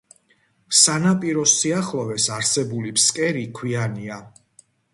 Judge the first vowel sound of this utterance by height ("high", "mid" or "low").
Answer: low